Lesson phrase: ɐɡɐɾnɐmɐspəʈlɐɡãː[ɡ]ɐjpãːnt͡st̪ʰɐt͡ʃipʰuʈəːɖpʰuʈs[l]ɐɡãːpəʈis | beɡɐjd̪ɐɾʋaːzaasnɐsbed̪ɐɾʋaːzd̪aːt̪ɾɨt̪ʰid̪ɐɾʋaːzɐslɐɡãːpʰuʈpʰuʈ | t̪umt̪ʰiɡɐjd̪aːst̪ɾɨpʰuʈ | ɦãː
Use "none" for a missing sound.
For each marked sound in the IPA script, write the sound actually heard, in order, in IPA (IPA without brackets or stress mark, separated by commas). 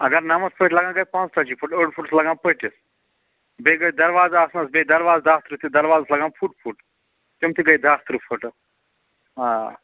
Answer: ɡ, l